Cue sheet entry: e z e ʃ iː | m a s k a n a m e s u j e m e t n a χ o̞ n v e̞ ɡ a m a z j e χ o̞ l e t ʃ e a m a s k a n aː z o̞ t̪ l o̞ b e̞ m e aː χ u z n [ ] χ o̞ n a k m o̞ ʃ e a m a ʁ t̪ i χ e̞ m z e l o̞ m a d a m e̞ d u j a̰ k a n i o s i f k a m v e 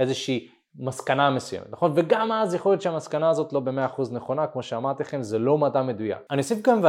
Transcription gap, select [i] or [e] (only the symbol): e